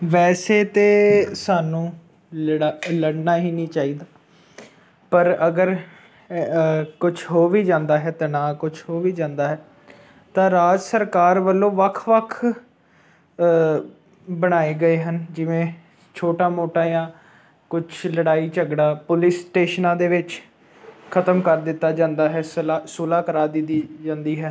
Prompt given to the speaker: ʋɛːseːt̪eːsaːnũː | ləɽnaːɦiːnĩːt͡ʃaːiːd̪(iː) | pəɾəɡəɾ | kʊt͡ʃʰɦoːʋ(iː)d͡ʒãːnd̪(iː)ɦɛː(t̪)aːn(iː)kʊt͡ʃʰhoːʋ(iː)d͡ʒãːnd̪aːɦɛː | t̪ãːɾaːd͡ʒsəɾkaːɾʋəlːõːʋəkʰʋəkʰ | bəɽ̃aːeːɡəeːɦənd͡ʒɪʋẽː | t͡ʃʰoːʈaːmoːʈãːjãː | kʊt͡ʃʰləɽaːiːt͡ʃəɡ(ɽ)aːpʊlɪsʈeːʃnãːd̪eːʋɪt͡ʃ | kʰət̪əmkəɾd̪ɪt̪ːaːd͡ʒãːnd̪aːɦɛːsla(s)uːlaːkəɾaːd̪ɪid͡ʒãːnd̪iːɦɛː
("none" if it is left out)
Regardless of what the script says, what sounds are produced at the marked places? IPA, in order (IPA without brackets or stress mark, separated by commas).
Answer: aː, iː, aː, t̪, aː, iː, ɽ, s